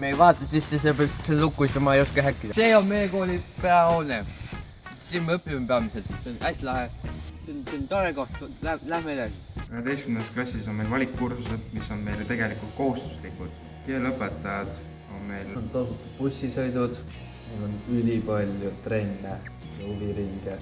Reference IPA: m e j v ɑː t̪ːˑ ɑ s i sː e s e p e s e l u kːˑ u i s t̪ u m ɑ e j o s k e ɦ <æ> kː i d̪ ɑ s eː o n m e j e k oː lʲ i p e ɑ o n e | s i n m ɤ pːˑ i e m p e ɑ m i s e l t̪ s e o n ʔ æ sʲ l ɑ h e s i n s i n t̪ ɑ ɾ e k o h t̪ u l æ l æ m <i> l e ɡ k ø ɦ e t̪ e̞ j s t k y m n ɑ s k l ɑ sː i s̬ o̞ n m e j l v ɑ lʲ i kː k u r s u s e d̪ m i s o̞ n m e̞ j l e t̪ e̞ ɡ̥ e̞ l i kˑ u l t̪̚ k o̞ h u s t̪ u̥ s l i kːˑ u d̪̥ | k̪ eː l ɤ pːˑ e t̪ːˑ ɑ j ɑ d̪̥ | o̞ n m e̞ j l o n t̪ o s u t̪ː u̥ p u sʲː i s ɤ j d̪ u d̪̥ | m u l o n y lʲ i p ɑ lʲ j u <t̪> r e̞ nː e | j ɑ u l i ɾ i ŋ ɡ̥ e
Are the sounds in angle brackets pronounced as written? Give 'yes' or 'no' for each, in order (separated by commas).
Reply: yes, no, yes